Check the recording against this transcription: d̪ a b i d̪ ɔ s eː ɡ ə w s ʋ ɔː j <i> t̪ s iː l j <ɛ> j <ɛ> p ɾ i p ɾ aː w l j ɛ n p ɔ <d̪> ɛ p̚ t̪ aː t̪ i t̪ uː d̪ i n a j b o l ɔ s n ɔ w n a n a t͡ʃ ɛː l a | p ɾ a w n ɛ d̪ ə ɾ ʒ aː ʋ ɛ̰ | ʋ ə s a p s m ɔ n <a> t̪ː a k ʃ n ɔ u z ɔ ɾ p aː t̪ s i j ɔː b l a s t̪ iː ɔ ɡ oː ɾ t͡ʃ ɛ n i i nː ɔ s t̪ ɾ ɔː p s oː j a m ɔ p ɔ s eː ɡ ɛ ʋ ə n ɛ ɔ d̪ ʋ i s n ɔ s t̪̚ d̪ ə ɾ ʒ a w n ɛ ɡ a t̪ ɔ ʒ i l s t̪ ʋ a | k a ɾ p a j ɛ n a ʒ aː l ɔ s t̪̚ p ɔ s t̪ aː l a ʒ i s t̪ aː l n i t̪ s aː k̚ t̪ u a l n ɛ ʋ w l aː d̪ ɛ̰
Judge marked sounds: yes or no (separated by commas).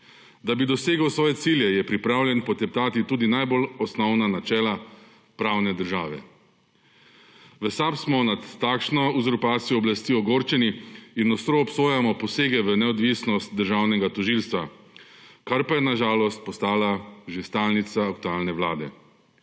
no, yes, yes, no, yes